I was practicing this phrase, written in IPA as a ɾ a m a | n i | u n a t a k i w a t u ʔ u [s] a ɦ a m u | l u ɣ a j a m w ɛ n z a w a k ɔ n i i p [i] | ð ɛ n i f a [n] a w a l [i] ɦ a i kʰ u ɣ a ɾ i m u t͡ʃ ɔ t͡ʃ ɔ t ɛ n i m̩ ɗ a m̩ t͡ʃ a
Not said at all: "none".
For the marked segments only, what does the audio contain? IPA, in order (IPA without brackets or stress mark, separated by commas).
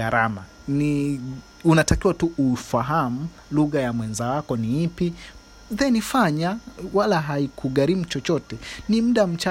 f, i, ɲ, a